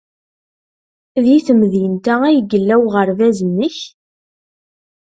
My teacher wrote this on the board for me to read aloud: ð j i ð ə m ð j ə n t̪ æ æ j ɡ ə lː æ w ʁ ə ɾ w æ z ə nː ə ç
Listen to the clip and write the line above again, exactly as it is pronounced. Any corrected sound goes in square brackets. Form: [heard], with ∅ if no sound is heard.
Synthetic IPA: ð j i [θ] ə m ð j ə n t̪ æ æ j ɡ ə lː æ w ʁ ə ɾ [v] æ z ə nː ə ç